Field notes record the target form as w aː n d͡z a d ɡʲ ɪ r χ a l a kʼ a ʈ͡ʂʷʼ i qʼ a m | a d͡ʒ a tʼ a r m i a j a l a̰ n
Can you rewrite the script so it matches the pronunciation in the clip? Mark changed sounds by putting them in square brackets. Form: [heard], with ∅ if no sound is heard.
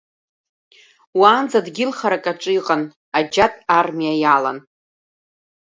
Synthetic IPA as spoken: w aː n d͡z a d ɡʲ ɪ [l] χ a [ɾ] a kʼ a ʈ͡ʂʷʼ i qʼ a [n] | a d͡ʒ a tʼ a r m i a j a l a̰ n